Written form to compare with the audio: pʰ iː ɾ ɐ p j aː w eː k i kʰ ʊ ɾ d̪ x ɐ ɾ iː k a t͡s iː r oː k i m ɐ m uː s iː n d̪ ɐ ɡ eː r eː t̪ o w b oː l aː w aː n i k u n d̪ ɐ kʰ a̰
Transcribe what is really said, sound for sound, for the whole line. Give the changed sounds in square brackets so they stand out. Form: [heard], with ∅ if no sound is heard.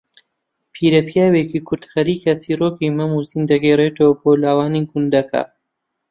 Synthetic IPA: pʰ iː ɾ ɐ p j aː w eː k i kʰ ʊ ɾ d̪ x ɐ ɾ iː k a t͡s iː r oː k i m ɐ m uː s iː n d̪ ɐ ɡ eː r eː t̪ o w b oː l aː w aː n i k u n d̪ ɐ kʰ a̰